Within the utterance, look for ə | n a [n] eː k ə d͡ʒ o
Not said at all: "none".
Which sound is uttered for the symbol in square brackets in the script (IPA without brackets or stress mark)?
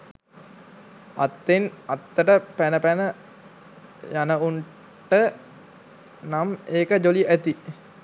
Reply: m